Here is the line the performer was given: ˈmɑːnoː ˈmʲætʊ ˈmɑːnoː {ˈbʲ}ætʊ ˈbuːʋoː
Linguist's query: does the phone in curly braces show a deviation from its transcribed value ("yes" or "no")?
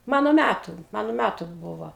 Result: yes